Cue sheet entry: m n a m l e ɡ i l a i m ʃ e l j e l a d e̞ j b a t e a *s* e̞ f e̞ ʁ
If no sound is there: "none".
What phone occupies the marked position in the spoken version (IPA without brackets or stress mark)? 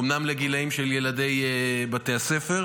s